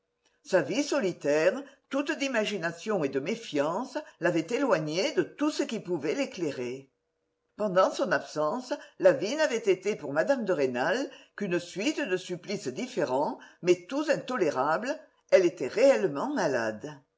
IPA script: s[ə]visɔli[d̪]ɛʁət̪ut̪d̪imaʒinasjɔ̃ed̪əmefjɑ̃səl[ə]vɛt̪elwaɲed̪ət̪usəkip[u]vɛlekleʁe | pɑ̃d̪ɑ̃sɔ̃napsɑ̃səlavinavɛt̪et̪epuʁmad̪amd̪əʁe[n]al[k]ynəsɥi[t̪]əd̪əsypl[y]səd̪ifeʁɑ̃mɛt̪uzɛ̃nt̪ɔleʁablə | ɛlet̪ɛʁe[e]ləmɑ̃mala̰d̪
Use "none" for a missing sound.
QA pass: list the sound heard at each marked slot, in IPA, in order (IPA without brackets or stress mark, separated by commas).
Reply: a, t̪, a, u, n, k, t̪, i, ɛ